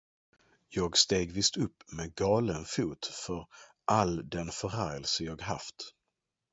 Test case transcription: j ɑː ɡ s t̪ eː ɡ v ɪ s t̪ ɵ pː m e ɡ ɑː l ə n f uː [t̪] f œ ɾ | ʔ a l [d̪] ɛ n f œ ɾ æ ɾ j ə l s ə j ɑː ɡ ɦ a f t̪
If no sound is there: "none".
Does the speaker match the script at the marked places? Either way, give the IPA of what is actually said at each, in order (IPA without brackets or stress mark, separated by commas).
t̪, d̪